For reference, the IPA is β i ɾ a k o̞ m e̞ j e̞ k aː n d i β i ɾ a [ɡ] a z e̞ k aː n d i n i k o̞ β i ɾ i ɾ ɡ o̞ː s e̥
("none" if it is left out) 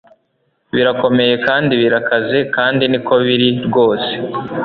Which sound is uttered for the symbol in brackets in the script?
k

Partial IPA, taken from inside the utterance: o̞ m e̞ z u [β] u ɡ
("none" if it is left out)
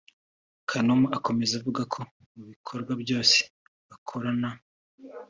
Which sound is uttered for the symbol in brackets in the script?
v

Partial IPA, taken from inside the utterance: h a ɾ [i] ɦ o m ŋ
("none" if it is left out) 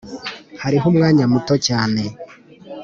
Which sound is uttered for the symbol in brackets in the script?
i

